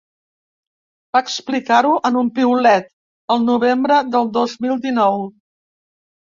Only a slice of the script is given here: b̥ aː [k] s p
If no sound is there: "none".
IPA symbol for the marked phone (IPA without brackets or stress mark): k